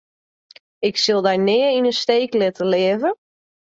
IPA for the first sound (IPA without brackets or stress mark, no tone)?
ɪ